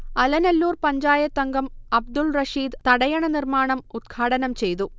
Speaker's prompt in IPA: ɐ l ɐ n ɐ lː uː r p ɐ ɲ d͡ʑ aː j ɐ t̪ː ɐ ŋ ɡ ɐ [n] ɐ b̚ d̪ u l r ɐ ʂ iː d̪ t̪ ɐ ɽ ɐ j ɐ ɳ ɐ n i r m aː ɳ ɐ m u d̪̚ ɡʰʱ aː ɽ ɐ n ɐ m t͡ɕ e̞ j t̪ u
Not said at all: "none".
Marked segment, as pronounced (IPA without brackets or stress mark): m